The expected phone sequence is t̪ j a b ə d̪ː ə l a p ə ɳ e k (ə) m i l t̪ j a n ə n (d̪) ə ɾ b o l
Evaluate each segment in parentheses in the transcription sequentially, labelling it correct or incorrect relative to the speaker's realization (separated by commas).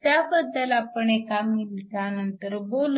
incorrect, incorrect